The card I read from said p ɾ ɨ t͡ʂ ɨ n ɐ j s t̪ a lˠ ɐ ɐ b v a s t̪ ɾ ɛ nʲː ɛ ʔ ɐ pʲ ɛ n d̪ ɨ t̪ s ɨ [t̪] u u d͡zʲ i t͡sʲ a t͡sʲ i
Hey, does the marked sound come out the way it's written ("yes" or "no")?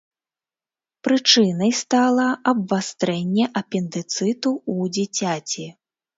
yes